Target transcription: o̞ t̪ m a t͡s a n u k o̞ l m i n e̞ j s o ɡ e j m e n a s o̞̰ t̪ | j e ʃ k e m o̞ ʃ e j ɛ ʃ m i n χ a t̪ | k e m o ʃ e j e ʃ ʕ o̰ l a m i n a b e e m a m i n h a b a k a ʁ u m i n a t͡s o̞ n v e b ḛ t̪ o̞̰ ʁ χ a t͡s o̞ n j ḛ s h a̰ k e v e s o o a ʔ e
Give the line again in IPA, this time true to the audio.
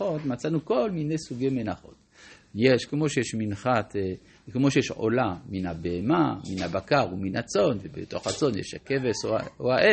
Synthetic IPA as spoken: o̞ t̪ m a t͡s a n u k o̞ l m i n e̞ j s u ɡ e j m e n a χ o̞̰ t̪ | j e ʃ k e m o̞ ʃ e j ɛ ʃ m i n χ a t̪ | k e m o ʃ e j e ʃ ʕ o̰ l a m i n a b e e m a m i n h a b a k a ʁ u m i n a t͡s o̞ n v e b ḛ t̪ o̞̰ χ a t͡s o̞ n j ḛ ʃ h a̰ k e v e s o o a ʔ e